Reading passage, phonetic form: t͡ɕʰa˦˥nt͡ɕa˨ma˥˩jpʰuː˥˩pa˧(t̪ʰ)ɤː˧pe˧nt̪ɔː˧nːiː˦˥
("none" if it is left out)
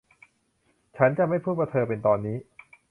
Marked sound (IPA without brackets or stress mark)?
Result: t̪ʰ